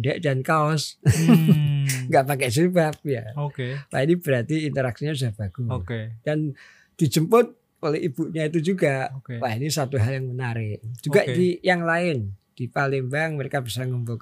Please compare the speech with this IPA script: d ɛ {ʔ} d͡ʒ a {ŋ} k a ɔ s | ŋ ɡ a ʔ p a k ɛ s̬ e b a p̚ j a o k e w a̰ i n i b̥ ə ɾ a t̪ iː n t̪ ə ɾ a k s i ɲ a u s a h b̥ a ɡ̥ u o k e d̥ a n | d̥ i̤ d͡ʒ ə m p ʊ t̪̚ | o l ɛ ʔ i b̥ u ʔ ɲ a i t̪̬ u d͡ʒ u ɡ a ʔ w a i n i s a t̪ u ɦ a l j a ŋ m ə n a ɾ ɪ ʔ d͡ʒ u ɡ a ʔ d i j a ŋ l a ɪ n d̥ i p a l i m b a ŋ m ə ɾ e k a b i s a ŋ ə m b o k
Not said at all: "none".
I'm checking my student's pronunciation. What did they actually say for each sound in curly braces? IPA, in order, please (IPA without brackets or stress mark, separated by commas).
ʔ, n